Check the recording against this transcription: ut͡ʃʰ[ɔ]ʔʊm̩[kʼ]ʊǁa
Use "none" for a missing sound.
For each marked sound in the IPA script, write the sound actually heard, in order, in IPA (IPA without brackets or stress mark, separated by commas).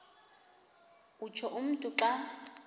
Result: ɔ, tʼ